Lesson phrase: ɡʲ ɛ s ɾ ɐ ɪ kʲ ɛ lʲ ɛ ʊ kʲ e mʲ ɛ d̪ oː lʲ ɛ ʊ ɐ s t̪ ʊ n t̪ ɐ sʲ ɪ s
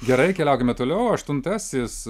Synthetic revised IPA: ɡʲ ɛ ɾ ɐ ɪ kʲ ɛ lʲ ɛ ʊ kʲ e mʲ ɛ t̪ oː lʲ ɛ ʊ ɐ ʃ t̪ ʊ n t̪ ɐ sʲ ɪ s